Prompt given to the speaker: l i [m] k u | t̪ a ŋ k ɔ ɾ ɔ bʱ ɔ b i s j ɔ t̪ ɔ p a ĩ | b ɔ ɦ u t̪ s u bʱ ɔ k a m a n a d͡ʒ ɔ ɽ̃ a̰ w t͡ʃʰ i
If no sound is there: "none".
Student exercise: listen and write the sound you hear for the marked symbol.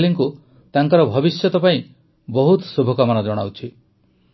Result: ŋ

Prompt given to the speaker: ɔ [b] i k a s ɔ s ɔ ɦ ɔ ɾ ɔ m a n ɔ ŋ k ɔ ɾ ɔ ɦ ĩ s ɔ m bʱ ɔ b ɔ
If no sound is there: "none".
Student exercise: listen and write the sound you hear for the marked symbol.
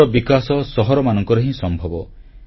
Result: b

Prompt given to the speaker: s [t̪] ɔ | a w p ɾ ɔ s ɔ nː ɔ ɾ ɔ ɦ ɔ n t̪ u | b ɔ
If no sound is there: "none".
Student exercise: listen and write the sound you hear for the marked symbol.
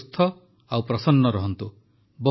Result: t̪ʰ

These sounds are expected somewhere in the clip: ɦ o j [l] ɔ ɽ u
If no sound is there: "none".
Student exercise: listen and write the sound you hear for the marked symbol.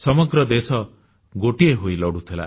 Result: l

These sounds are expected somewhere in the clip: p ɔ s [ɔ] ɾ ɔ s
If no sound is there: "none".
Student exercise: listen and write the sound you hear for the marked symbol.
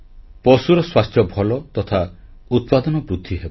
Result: u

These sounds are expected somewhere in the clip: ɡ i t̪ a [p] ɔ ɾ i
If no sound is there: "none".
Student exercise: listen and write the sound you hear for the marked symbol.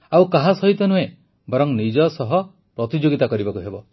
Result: k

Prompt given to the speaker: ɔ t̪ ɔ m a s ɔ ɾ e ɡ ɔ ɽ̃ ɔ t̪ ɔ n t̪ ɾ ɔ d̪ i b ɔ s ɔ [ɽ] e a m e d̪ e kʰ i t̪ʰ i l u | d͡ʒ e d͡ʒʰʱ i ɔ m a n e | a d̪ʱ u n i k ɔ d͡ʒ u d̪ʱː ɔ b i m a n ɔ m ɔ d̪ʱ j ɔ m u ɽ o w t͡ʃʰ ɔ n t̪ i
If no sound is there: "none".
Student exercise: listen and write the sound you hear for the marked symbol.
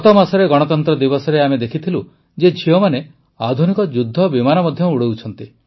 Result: ɾ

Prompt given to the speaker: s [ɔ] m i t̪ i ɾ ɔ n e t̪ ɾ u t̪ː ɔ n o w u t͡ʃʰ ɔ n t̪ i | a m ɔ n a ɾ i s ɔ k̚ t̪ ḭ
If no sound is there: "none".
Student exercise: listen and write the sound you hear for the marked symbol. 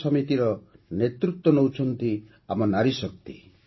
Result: ɔ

